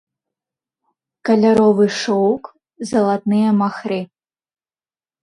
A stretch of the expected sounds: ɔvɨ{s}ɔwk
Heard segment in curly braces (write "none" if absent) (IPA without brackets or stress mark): ʂ